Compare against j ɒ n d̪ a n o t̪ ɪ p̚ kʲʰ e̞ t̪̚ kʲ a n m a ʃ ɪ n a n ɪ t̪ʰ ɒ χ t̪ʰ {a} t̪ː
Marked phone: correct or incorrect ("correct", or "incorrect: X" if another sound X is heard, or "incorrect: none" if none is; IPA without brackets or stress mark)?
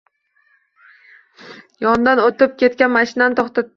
correct